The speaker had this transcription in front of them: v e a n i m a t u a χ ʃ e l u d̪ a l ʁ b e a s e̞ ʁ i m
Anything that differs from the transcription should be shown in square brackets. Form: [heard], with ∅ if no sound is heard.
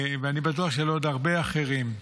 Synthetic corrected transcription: v e a n i [b] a t u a χ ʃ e l [o] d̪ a [∅] ʁ b e a [χ] e̞ ʁ i m